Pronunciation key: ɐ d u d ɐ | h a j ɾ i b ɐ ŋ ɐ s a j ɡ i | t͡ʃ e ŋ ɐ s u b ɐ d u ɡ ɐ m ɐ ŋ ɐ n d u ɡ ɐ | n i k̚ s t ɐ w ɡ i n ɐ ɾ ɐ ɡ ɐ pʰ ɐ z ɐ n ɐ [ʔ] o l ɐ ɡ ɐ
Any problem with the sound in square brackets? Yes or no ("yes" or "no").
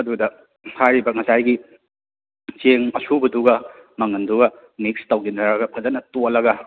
yes